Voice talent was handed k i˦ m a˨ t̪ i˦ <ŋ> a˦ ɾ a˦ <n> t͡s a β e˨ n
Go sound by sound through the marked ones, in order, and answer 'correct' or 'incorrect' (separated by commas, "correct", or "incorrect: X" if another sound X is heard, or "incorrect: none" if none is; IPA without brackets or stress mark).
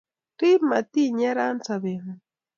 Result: incorrect: ɲ, correct